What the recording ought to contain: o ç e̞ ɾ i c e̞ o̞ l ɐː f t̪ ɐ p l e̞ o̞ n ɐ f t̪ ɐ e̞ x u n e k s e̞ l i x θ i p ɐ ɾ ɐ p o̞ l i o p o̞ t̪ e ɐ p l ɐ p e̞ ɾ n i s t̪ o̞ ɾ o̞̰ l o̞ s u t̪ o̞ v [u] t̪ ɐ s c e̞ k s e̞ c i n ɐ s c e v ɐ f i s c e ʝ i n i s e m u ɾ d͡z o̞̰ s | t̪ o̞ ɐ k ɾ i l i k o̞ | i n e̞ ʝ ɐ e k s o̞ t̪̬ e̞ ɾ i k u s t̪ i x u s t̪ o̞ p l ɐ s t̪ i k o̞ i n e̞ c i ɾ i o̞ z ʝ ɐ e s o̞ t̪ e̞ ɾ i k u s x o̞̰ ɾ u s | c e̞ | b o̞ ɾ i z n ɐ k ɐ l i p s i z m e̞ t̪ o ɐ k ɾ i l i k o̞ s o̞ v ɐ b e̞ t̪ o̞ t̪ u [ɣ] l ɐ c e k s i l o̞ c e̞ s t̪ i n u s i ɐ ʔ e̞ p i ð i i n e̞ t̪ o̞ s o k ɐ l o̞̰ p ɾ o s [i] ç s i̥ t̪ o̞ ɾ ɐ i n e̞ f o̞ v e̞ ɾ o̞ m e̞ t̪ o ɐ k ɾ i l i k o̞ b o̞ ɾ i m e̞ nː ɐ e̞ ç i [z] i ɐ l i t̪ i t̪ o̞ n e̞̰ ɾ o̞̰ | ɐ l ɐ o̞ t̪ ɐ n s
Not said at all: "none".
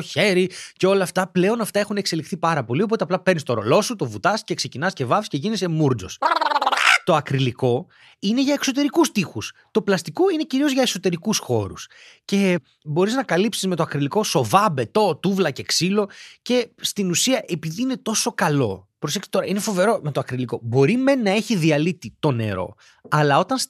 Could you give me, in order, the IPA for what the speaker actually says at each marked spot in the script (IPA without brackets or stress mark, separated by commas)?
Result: u, v, e, ð